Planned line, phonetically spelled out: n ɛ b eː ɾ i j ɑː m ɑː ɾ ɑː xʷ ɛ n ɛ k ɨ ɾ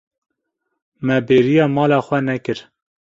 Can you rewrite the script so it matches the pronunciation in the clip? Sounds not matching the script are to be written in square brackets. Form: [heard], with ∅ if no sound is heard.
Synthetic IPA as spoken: [m] ɛ b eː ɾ i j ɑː m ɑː [l] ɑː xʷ ɛ n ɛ k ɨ ɾ